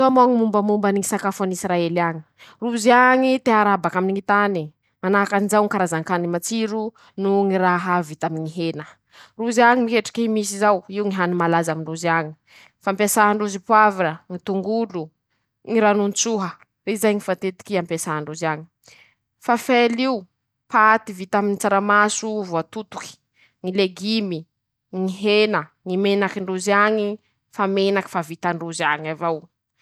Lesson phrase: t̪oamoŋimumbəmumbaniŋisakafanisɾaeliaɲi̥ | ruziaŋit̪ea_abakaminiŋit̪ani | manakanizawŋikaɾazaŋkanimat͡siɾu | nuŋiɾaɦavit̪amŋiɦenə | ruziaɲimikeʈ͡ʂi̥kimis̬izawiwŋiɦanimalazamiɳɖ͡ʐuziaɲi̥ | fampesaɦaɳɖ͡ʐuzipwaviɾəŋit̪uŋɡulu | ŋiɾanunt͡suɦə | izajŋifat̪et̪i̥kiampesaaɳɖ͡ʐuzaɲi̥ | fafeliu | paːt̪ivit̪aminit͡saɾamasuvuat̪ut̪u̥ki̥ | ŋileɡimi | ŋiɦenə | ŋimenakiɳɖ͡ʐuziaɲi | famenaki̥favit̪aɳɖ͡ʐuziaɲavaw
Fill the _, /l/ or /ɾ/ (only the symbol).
ɾ